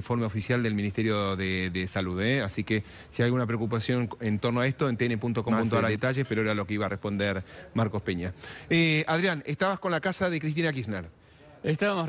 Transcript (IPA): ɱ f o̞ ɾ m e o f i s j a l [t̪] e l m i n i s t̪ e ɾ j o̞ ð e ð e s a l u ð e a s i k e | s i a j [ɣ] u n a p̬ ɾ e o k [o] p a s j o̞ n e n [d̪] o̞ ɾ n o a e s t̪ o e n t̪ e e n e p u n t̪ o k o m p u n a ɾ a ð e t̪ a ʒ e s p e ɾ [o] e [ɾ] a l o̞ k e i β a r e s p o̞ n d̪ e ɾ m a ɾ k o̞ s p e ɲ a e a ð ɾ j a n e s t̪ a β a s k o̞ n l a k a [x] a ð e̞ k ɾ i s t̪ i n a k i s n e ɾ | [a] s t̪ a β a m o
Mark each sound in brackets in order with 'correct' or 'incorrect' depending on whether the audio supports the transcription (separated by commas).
incorrect, correct, incorrect, incorrect, correct, correct, incorrect, incorrect